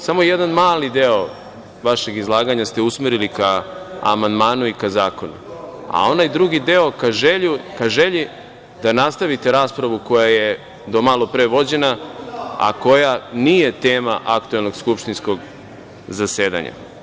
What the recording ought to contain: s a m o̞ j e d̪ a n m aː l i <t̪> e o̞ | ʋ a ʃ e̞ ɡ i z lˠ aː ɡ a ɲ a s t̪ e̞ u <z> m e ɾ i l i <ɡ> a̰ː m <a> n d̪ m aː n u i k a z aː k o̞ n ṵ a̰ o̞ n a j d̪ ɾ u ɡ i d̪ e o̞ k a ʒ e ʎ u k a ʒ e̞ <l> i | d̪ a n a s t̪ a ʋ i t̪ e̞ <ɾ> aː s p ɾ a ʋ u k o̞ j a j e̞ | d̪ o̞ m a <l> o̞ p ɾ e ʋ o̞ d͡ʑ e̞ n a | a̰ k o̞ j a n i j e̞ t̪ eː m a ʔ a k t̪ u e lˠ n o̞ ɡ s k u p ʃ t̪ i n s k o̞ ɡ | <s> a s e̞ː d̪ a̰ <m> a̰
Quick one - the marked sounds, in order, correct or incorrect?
incorrect: d̪, incorrect: s, incorrect: k, correct, incorrect: ʎ, correct, correct, incorrect: z, incorrect: ɲ

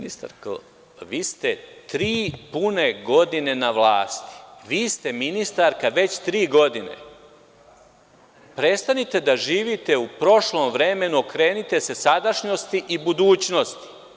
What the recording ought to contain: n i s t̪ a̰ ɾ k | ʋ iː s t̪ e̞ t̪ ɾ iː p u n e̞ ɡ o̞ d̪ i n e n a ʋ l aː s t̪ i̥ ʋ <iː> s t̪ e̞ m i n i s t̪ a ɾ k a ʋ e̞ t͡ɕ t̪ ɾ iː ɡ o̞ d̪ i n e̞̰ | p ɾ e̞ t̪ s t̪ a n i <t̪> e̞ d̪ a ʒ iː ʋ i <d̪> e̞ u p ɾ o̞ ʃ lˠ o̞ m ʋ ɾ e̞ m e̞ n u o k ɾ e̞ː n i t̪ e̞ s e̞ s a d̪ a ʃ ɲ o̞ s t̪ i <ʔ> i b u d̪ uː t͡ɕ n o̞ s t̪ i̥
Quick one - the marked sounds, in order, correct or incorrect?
correct, correct, incorrect: t̪, correct

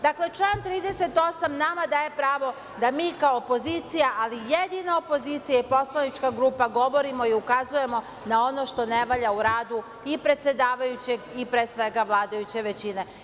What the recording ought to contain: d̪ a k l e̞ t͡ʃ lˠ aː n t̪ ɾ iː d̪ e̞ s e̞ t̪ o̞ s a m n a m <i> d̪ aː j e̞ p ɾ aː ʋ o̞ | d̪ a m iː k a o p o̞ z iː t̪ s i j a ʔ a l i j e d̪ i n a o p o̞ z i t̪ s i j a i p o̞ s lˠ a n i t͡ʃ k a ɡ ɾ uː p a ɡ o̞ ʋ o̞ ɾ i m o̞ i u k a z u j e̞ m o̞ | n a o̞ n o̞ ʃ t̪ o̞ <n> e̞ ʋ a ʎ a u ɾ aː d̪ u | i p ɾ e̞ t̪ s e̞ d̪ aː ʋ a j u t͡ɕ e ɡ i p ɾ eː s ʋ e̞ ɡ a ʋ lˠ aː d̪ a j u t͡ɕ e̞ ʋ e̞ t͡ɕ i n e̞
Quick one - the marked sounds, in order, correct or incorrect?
incorrect: a, correct

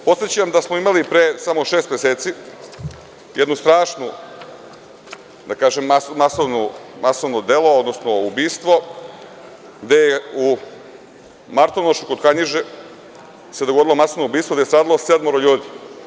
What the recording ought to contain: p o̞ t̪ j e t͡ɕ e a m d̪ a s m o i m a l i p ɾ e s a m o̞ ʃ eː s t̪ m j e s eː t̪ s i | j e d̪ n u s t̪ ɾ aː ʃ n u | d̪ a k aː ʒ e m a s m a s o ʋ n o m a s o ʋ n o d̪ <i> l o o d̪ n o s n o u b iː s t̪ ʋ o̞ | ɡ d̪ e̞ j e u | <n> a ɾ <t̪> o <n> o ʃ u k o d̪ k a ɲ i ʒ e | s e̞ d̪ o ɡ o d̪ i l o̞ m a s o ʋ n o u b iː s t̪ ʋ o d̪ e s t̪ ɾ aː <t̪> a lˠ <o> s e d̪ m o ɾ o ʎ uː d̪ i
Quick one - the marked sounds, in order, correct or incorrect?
incorrect: e, incorrect: m, correct, correct, incorrect: d̪, correct

